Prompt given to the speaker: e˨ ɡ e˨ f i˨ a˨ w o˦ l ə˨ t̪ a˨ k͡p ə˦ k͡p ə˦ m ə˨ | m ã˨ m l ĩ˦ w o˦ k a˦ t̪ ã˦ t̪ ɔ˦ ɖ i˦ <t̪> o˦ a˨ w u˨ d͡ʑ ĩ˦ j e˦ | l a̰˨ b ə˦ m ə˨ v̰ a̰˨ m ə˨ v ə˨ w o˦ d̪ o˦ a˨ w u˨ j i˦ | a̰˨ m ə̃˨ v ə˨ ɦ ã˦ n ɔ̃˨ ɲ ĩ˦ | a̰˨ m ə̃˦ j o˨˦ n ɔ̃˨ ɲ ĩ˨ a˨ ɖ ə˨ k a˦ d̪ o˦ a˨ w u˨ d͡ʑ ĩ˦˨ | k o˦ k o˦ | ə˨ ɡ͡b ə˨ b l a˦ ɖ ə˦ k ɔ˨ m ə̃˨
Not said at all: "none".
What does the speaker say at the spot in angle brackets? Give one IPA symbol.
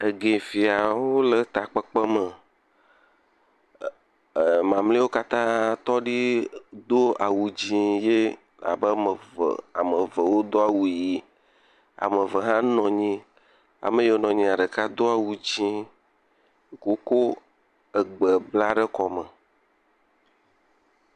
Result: d̪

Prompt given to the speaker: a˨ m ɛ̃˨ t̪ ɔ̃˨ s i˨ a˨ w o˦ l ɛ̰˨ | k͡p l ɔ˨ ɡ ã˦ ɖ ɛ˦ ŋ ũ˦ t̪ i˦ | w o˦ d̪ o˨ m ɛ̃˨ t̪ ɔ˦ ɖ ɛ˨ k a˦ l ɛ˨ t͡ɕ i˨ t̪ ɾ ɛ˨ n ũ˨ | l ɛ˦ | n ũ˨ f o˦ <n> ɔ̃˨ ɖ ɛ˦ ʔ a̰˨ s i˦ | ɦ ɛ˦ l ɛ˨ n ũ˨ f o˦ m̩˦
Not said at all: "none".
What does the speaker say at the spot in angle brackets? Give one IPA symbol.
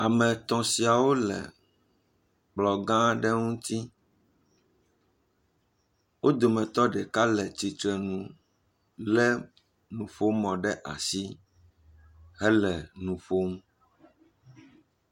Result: m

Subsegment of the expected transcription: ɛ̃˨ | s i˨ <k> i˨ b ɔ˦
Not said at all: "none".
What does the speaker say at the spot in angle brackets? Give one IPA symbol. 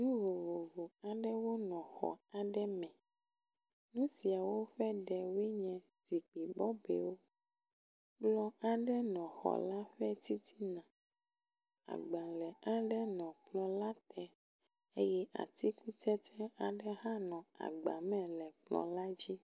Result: k͡p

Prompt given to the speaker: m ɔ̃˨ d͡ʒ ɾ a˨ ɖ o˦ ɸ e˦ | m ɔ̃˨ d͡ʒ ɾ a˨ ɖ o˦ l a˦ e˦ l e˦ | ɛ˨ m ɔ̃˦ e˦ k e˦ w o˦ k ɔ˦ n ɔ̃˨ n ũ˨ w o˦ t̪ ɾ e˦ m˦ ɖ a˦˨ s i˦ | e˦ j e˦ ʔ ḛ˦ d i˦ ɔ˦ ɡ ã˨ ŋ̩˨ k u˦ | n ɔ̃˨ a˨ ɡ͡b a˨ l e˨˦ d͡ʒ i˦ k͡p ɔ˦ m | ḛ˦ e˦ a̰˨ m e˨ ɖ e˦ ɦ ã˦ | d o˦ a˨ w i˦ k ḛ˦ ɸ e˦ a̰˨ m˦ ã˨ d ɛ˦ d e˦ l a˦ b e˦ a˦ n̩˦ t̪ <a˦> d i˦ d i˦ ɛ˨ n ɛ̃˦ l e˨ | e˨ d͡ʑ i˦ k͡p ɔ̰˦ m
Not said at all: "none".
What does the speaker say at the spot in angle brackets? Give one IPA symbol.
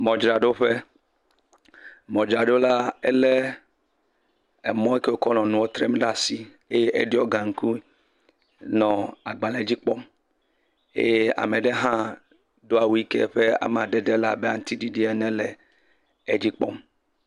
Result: i˦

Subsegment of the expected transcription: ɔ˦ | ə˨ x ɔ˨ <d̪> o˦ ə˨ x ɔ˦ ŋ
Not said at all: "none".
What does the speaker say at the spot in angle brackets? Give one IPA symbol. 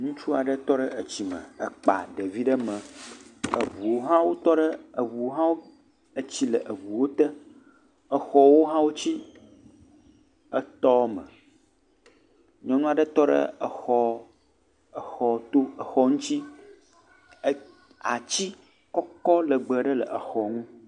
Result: t̪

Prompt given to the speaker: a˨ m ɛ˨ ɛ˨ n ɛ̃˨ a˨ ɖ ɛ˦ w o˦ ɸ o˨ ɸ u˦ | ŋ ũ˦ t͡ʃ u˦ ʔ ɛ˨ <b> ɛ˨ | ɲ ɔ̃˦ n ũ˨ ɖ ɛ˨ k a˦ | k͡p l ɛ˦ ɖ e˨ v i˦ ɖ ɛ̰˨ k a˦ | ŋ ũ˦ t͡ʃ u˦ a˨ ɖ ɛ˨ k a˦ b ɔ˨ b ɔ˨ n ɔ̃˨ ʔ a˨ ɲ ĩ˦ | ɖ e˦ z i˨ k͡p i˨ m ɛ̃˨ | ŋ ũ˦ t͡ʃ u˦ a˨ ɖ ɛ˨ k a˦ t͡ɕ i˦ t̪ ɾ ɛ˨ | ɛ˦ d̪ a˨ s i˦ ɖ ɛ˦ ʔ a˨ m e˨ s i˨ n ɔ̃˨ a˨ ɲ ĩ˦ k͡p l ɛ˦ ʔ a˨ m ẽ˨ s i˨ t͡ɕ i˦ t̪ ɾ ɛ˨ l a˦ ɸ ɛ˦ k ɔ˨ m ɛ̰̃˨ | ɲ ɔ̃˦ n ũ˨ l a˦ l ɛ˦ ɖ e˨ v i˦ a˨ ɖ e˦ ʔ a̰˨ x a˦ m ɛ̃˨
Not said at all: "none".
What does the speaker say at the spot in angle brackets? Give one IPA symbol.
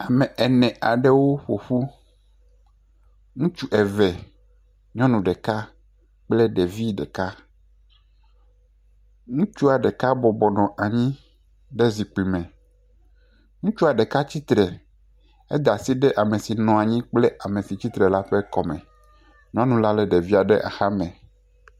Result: v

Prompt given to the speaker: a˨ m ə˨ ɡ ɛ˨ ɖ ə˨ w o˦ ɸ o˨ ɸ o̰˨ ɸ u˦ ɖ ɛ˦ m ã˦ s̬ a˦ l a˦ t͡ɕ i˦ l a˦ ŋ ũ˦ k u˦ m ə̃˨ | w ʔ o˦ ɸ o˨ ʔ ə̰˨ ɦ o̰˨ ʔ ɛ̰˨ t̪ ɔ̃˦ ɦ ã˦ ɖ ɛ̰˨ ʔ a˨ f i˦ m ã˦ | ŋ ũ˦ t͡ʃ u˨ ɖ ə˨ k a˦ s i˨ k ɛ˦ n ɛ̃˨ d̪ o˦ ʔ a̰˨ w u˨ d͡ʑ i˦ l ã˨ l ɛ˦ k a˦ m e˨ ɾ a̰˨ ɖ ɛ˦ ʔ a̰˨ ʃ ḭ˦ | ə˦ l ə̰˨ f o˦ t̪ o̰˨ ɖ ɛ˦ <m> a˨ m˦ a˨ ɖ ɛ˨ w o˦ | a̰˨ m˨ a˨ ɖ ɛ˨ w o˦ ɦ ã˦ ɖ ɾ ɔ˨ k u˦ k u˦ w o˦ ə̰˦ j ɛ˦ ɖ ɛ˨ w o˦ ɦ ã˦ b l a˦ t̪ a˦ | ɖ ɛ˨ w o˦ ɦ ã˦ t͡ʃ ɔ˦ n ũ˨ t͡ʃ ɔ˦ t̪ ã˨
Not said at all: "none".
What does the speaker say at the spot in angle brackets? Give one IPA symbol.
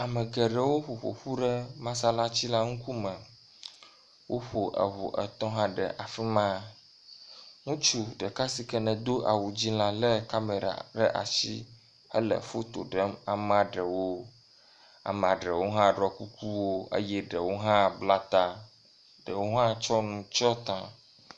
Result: m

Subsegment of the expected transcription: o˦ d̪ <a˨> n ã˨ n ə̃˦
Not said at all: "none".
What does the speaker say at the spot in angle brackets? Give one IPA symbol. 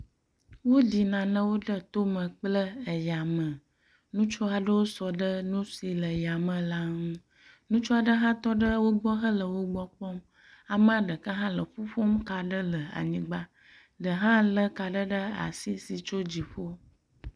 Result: i˨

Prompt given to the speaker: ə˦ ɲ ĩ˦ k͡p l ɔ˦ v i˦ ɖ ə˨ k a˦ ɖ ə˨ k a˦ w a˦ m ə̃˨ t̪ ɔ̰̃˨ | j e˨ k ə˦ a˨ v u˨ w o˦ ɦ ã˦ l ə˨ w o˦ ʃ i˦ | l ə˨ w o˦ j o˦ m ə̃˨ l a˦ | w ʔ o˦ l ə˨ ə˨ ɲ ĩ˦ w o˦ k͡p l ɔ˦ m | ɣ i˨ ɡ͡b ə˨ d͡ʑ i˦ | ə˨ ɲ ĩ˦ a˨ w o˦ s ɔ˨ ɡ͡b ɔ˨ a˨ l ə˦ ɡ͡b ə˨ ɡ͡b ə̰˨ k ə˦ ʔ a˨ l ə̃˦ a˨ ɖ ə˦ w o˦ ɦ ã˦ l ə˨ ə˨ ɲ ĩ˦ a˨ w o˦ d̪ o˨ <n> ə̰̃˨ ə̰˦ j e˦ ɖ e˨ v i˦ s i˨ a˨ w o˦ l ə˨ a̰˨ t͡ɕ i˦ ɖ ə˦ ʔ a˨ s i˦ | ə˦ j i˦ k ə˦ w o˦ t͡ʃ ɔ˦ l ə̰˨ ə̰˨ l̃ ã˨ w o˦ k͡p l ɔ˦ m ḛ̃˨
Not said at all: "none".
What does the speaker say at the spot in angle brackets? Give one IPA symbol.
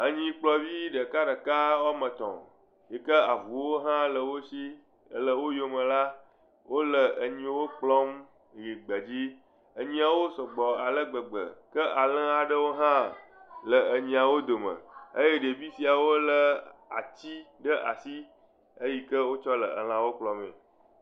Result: m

